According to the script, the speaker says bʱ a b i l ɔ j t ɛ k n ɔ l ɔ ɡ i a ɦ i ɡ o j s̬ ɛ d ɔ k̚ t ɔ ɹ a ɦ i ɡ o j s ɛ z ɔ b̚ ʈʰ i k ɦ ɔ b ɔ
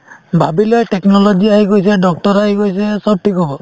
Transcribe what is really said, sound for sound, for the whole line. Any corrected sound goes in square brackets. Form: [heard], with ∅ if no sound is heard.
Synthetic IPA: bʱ a b i l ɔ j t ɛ k n ɔ l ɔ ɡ i a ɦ i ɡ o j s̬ ɛ d ɔ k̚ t ɔ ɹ a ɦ i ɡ o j s ɛ [s] ɔ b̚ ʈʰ i k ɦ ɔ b ɔ